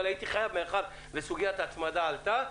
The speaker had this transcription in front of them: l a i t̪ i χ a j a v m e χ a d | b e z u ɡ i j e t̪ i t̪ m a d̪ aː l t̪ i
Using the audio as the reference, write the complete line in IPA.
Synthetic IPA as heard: l a i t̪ i χ a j a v m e χ a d | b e s u ɡ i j a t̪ a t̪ m a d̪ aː l t̪ a